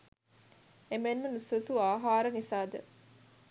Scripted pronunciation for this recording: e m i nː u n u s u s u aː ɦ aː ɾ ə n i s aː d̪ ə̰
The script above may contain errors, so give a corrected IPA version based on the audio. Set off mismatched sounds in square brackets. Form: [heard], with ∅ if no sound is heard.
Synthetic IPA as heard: e m [e] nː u n u s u s u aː ɦ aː ɾ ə n i s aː d̪ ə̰